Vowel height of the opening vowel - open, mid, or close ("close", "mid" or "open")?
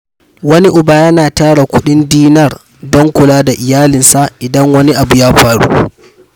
open